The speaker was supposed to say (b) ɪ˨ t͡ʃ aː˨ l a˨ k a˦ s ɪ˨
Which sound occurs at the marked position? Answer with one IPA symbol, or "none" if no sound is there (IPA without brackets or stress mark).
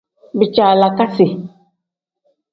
b